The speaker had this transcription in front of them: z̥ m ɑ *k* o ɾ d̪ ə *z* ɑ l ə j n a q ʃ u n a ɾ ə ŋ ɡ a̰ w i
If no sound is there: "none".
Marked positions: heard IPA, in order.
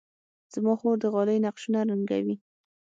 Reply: x, ɣ

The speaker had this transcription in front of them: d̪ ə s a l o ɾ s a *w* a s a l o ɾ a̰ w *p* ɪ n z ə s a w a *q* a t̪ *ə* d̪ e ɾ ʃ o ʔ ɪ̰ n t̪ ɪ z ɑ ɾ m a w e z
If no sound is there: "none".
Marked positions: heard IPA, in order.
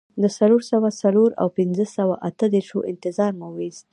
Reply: w, p, ʔ, ə

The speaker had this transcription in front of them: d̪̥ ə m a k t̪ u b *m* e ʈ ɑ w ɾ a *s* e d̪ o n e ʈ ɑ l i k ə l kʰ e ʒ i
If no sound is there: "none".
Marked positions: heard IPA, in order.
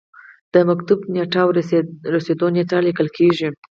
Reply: n, s

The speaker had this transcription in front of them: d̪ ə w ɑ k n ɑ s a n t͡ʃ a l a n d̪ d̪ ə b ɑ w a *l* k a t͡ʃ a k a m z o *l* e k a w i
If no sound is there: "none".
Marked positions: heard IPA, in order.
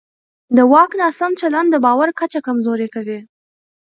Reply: ɾ, ɾ

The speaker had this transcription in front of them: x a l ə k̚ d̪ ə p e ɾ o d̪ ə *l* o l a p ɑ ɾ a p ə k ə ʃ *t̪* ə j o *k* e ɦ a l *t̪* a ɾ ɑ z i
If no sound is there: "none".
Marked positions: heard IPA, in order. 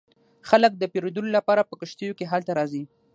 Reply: l, t̪, k, t̪

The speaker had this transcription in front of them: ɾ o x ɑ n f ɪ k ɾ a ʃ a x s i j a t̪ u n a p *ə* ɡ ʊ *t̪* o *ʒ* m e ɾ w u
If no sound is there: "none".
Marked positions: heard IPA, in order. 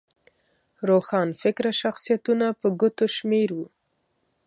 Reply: ə, t̪, ʃ

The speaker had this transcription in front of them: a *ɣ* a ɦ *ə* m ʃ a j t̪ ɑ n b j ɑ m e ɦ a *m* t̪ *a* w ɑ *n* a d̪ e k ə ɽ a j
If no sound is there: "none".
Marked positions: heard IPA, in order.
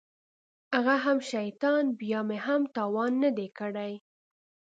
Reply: ɣ, a, m, ɑ, nː

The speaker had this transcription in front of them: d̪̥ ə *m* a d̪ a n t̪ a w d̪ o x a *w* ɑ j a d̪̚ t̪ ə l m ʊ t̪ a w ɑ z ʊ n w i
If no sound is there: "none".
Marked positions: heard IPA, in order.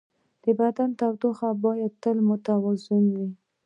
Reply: b, b

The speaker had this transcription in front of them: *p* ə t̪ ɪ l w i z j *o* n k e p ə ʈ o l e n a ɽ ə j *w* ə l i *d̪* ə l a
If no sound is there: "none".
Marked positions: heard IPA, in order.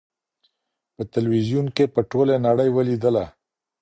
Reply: p, u, w, d̪

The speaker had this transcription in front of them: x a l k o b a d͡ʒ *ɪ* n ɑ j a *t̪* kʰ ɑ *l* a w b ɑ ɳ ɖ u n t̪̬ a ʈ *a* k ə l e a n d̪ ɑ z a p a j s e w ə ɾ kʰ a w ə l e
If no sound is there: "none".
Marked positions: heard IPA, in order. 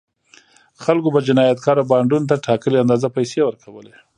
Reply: ɪ, t̪, ɾ, ɑ

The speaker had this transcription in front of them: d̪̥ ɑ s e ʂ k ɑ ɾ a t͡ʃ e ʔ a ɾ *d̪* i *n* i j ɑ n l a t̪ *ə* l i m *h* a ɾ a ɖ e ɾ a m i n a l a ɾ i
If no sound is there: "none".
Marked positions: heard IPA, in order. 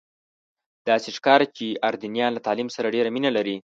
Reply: d̪, n, ɑ, s

